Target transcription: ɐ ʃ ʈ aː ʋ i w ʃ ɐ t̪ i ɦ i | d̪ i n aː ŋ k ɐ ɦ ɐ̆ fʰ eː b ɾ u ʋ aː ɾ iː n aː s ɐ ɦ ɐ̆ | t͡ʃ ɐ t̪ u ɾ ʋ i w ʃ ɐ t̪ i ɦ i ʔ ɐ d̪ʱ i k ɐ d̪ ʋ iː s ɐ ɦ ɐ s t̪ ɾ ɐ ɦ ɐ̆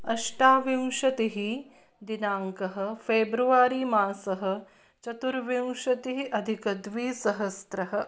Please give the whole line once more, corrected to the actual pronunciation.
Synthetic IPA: ɐ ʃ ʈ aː ʋ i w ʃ ɐ t̪ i ɦ i | d̪ i n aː ŋ k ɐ ɦ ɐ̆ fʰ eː b ɾ u ʋ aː ɾ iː m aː s ɐ ɦ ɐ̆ | t͡ʃ ɐ t̪ u ɾ ʋ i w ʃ ɐ t̪ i ɦ i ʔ ɐ d̪ʱ i k ɐ d̪ ʋ iː s ɐ ɦ ɐ s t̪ ɾ ɐ ɦ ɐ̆

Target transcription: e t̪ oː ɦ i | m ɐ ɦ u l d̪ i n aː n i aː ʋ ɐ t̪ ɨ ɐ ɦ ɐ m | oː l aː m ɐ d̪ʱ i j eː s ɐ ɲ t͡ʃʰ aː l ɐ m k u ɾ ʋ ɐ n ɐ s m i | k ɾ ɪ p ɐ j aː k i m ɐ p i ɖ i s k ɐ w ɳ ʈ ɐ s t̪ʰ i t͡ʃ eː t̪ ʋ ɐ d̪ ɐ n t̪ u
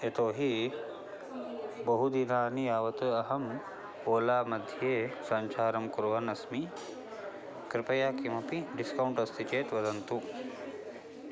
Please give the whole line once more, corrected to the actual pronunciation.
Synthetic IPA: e t̪ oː ɦ i | b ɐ ɦ u d̪ i n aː n i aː ʋ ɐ t̪ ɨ ɐ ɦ ɐ m | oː l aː m ɐ d̪ʱ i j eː s ɐ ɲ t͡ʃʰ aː ɾ ɐ m k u ɾ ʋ ɐ n ɐ s m i | k ɾ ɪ p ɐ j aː k i m ɐ p i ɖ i s k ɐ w ɳ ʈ ɐ s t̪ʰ i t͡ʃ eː t̪ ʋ ɐ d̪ ɐ n t̪ u

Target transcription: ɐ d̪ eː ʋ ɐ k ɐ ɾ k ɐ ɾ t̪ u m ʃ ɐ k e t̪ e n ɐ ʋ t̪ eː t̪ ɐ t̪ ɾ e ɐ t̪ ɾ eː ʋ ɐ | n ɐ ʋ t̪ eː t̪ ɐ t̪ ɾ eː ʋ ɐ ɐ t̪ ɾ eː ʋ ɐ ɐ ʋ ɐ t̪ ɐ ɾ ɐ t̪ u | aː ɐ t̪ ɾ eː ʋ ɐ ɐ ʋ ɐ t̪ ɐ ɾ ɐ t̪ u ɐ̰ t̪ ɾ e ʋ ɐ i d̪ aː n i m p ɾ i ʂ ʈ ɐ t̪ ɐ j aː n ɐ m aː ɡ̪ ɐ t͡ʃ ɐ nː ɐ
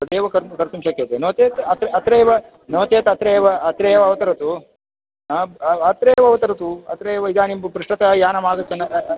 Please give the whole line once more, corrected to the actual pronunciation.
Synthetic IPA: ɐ d̪ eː ʋ ɐ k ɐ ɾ k ɐ ɾ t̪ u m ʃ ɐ k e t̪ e n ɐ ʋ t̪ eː t̪ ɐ t̪ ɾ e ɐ t̪ ɾ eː ʋ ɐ | n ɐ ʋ t̪ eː t̪ ɐ t̪ ɾ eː ʋ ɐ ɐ t̪ ɾ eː ʋ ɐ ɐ ʋ ɐ t̪ ɐ ɾ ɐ t̪ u | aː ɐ t̪ ɾ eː ʋ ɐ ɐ ʋ ɐ t̪ ɐ ɾ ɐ t̪ u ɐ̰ t̪ ɾ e ʋ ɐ i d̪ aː n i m p ɾ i ʂ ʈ ɐ t̪ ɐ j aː n ɐ m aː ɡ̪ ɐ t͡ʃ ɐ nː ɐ

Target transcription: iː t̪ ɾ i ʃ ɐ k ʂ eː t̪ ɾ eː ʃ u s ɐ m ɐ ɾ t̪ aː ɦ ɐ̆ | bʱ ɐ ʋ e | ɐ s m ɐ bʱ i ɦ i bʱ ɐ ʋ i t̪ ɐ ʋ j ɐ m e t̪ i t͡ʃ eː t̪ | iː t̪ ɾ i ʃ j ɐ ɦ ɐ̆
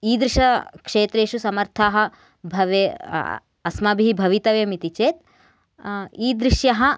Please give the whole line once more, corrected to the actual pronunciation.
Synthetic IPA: iː d̪ ɾ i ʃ ɐ k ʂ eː t̪ ɾ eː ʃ u s ɐ m ɐ ɾ t̪ʰ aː ɦ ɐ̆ | bʱ ɐ ʋ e | ɐ s m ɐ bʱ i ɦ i bʱ ɐ ʋ i t̪ ɐ ʋ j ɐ m i t̪ i t͡ʃ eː t̪ | iː d̪ ɾ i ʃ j ɐ ɦ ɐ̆

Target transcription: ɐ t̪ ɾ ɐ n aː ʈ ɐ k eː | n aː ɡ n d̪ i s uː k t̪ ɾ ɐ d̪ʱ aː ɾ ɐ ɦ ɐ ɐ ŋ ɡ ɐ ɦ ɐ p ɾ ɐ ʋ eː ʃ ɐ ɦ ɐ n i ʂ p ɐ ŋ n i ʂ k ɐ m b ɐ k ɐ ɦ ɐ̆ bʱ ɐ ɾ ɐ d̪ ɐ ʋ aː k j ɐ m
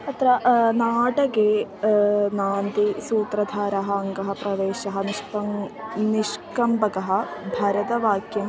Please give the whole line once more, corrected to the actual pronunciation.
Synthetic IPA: ɐ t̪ ɾ ɐ n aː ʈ ɐ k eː | n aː n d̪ i s uː t̪ ɾ ɐ d̪ʱ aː ɾ ɐ ɦ ɐ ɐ ŋ ɡ ɐ ɦ ɐ p ɾ ɐ ʋ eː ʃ ɐ ɦ ɐ n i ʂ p ɐ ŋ n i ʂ k ɐ m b ɐ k ɐ ɦ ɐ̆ bʱ ɐ ɾ ɐ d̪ ɐ ʋ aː k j ɐ m

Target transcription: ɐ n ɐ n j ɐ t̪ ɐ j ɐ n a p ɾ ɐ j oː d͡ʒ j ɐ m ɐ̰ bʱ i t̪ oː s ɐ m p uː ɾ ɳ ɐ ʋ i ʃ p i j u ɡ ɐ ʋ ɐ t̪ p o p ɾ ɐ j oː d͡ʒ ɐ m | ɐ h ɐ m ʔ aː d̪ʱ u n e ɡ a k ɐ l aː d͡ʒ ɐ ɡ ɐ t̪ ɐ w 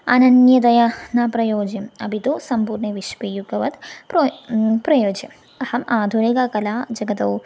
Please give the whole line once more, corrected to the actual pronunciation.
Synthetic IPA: ɐ n ɐ n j ɐ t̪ ɐ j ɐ n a p ɾ ɐ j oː d͡ʒ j ɐ m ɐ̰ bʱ i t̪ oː s ɐ m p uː ɾ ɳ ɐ ʋ i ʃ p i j u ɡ ɐ ʋ ɐ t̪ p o p ɾ ɐ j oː d͡ʒ ɐ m | ɐ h ɐ m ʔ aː d̪ʱ u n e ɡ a k ɐ l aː d͡ʒ ɐ ɡ ɐ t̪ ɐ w

